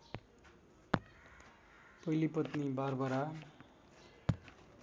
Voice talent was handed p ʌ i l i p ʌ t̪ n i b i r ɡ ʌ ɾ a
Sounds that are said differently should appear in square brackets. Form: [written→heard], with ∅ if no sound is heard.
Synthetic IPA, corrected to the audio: p ʌ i l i p ʌ t̪ n i b [i→a] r [ɡ→b] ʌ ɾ a